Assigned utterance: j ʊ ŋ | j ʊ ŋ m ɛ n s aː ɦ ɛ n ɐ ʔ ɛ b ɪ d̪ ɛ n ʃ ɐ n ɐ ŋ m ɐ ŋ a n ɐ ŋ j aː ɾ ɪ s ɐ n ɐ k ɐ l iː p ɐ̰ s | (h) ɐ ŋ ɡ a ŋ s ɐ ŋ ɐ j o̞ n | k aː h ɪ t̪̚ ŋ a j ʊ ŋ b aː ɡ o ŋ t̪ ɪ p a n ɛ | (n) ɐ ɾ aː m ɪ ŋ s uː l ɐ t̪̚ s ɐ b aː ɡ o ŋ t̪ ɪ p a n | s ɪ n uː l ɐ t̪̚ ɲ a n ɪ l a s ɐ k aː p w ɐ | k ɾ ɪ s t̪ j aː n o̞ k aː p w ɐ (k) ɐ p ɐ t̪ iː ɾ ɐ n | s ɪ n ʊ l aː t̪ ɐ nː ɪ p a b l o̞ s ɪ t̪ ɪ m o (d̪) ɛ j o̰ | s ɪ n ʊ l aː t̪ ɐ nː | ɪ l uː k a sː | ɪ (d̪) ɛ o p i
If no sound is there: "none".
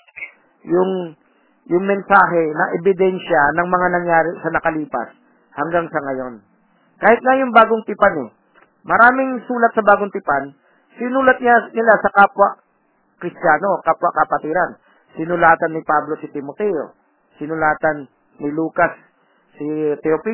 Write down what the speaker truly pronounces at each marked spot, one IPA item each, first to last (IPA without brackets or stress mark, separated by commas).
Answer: h, m, k, t̪, t̪